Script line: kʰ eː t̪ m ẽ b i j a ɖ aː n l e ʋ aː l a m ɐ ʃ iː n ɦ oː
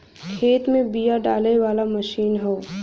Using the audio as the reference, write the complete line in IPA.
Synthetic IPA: kʰ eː t̪ m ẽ b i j a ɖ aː l e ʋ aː l a m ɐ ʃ iː n ɦ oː

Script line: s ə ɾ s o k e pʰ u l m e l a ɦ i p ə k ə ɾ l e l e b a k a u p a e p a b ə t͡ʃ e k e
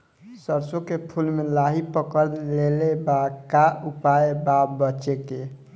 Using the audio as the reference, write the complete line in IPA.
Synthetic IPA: s ə ɾ s o k e pʰ u l m e l a ɦ i p ə k ə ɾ l e l e b a k a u p a e b a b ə t͡ʃ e k e

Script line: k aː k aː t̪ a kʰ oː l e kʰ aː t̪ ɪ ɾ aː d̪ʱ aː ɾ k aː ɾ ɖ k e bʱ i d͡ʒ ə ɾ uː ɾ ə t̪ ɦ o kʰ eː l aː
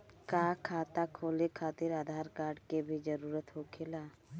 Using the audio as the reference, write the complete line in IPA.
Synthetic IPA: k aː kʰ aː t̪ a kʰ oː l e kʰ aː t̪ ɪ ɾ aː d̪ʱ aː ɾ k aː ɾ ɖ k e bʱ i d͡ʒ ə ɾ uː ɾ ə t̪ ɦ o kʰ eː l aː

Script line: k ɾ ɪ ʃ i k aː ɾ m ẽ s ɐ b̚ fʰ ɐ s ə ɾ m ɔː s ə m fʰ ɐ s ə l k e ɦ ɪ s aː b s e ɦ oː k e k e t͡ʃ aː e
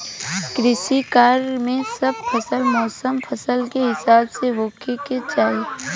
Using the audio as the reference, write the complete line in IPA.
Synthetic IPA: k ɾ ɪ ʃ i k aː ɾ m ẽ s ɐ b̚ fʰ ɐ s ə l m ɔː s ə m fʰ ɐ s ə l k e ɦ ɪ s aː b s e ɦ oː k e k e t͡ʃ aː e

